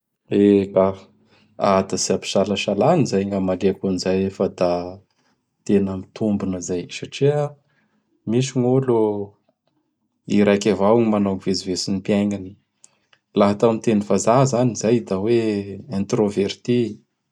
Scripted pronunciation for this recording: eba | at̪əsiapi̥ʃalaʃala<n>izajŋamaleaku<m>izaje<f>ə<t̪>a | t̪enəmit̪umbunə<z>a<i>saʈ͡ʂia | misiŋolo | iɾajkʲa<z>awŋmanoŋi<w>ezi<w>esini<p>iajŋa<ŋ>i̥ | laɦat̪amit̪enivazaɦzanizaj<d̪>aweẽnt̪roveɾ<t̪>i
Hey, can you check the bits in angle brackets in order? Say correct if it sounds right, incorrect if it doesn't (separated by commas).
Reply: correct, incorrect, correct, incorrect, correct, incorrect, incorrect, incorrect, incorrect, correct, incorrect, correct, correct